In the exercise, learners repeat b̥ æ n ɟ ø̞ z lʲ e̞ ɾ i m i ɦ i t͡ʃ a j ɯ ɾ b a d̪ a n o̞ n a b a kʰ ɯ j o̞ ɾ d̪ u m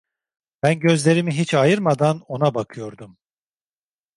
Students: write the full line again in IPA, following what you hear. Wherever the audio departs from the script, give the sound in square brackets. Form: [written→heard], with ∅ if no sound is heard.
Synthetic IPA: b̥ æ n ɟ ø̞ z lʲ e̞ ɾ i m i ɦ i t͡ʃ a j ɯ ɾ [b→m] a d̪ a n o̞ n a b a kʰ ɯ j o̞ ɾ d̪ u m